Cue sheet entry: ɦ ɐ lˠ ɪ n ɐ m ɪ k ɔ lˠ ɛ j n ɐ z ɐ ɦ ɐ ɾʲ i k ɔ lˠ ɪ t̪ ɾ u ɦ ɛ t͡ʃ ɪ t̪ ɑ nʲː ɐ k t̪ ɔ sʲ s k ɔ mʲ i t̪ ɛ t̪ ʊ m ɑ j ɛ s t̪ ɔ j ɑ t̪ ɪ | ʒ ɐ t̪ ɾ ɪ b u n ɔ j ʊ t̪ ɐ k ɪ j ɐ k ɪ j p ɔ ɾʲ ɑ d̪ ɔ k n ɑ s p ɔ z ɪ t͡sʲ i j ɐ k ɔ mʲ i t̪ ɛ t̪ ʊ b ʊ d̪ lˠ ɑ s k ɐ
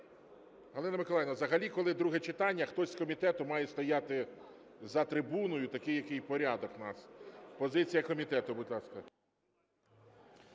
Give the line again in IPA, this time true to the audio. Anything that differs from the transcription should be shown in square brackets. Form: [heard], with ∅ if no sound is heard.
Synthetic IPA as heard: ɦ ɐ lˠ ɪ n ɐ m ɪ k ɔ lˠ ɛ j n ɐ z ɐ ɦ ɐ [lʲ] i k ɔ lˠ ɪ [d̪] ɾ u ɦ ɛ t͡ʃ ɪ t̪ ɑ nʲː ɐ [x] t̪ ɔ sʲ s k ɔ mʲ i t̪ ɛ t̪ ʊ m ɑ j ɛ s t̪ ɔ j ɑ t̪ ɪ | [z] ɐ t̪ ɾ ɪ b u n ɔ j ʊ t̪ ɐ k ɪ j ɐ k ɪ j p ɔ ɾʲ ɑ d̪ ɔ k n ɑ s p ɔ z ɪ t͡sʲ i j ɐ k ɔ mʲ i t̪ ɛ t̪ ʊ b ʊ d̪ lˠ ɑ s k ɐ

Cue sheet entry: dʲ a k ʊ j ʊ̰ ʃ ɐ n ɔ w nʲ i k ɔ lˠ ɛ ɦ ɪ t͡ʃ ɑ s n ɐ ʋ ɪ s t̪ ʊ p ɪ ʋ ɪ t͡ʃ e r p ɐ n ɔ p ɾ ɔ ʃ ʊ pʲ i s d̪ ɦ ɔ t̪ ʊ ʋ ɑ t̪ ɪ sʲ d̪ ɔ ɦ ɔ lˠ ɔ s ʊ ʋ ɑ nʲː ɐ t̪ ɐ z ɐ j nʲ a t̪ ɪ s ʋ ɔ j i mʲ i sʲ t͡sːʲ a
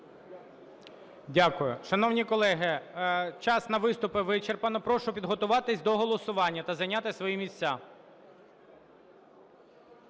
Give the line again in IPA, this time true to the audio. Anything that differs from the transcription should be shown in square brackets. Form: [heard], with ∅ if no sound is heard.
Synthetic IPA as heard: dʲ a k ʊ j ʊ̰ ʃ ɐ n ɔ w nʲ i k ɔ lˠ ɛ ɦ ɪ t͡ʃ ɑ s n ɐ ʋ ɪ s t̪ ʊ p ɪ ʋ ɪ t͡ʃ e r p ɐ n ɔ p ɾ ɔ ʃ ʊ pʲ i [∅] d̪ ɦ ɔ t̪ ʊ ʋ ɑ t̪ ɪ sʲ d̪ ɔ ɦ ɔ lˠ ɔ s ʊ ʋ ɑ nʲː ɐ t̪ ɐ z ɐ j nʲ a t̪ ɪ s ʋ ɔ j i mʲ i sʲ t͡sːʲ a

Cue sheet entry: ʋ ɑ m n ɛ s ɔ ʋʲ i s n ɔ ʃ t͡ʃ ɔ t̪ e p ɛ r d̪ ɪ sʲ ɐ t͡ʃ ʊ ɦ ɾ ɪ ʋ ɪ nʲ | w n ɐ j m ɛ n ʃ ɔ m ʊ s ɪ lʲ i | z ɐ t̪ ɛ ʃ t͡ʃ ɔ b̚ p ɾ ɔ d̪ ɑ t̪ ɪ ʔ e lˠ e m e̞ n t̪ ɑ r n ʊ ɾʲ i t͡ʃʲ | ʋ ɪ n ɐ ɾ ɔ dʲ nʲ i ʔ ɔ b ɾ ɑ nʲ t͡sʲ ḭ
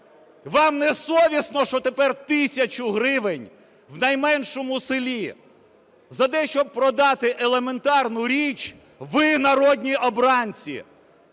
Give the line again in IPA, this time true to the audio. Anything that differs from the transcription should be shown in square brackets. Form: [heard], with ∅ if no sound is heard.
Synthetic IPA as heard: ʋ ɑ m n ɛ s ɔ ʋʲ i s n ɔ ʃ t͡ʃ ɔ t̪ e p ɛ r [t̪] ɪ sʲ ɐ t͡ʃ ʊ ɦ ɾ ɪ ʋ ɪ nʲ | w n ɐ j m ɛ n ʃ ɔ m ʊ s ɪ lʲ i | z ɐ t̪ ɛ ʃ t͡ʃ ɔ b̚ p ɾ ɔ d̪ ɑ t̪ ɪ ʔ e lˠ e m e̞ n t̪ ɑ r n ʊ ɾʲ i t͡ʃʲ | ʋ ɪ n ɐ ɾ ɔ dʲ nʲ i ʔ ɔ b ɾ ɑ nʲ t͡sʲ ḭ

